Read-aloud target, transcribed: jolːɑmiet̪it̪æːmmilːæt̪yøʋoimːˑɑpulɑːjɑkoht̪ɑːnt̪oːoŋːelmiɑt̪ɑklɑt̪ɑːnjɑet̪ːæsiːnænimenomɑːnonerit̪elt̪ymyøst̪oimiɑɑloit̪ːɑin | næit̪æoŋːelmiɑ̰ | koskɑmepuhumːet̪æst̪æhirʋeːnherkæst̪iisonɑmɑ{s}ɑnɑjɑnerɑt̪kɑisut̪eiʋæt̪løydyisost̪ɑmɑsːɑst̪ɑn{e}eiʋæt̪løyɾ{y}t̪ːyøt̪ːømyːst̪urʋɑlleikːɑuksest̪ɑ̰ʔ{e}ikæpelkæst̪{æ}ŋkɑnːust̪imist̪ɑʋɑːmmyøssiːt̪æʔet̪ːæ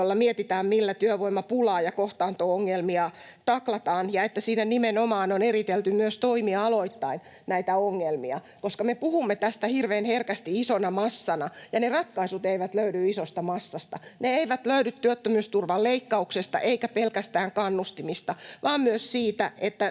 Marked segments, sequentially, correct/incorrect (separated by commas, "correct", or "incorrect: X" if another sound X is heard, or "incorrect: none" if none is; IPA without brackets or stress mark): incorrect: sː, correct, correct, correct, incorrect: æː